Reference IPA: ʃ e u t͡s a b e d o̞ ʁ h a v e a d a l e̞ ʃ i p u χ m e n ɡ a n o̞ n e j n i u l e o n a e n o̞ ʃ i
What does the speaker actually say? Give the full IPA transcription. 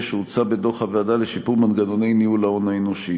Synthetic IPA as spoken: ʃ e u t͡s a b e d o̞ χ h a v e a d a l e̞ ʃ i p u ʁ m a n ɡ a n o̞ n e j n i u l a o n a e n o̞ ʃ i